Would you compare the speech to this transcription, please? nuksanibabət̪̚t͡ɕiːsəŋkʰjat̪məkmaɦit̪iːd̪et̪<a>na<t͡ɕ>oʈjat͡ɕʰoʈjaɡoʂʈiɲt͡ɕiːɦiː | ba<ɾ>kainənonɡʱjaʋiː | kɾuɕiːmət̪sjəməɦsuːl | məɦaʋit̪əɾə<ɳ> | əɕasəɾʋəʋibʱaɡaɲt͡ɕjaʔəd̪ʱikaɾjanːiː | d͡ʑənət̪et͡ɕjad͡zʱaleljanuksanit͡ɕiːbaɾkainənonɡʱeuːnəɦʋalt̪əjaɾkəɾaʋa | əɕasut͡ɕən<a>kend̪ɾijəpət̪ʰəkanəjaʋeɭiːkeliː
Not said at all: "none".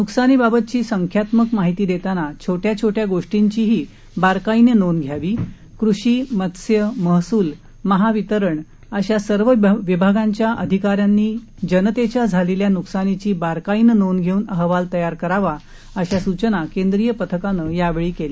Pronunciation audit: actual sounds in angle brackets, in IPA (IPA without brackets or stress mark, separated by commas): a, t͡ɕʰ, ɾ, ɳ, a